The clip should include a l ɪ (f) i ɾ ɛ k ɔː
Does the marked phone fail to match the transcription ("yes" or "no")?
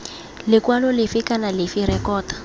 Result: no